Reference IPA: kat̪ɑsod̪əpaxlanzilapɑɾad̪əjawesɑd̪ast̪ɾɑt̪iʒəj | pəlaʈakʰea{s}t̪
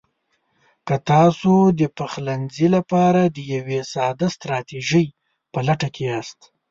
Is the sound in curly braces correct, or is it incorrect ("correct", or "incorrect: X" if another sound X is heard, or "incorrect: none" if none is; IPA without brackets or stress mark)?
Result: correct